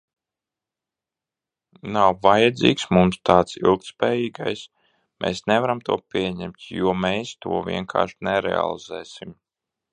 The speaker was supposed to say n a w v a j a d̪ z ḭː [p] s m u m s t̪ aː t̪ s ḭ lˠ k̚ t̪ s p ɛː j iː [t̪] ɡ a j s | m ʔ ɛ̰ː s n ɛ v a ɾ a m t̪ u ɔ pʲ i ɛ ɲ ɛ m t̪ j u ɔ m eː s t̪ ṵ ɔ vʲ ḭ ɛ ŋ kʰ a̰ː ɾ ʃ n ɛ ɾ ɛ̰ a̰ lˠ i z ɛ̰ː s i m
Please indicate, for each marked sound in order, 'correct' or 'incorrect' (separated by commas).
incorrect, incorrect